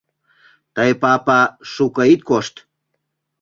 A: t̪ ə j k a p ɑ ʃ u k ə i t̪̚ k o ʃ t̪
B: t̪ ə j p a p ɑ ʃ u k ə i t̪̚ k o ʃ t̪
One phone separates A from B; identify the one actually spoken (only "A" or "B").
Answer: B